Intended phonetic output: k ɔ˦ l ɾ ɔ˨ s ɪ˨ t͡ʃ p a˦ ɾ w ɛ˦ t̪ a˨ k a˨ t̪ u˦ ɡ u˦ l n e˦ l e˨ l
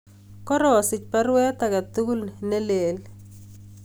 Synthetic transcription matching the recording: k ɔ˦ ɾ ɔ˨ s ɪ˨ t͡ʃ p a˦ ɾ w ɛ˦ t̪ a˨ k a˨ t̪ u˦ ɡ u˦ l n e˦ l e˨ l